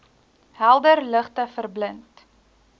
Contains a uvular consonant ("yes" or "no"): yes